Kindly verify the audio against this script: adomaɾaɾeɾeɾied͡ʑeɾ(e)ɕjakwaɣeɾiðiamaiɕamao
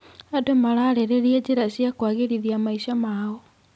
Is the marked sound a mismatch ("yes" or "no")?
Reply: yes